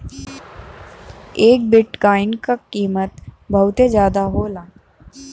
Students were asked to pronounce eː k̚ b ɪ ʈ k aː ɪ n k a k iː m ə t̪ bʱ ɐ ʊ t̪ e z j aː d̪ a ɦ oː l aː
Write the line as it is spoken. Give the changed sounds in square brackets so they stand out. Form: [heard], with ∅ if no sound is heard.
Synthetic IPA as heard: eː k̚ b ɪ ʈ k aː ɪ n k a k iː m ə t̪ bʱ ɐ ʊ t̪ e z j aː d̪ a ɦ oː l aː